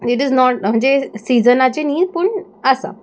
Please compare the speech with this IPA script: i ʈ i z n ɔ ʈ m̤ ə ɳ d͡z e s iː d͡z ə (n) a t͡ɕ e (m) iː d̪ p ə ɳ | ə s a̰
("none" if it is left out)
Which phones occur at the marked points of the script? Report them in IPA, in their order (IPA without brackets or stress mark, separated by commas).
n, n